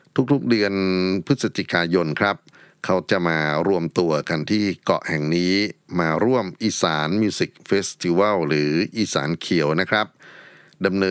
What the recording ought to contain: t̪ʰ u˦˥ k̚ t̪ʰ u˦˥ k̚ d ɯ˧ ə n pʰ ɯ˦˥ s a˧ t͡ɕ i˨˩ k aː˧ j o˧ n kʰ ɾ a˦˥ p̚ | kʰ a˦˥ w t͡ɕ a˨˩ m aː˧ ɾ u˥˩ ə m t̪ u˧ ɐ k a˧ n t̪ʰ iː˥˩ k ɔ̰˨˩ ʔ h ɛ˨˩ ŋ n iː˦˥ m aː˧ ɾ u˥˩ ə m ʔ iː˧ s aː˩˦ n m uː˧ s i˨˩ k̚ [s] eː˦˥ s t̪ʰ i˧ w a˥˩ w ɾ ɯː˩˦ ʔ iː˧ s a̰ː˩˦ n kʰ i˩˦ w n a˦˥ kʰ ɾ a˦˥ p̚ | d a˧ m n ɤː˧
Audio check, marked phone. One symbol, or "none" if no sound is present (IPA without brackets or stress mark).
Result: f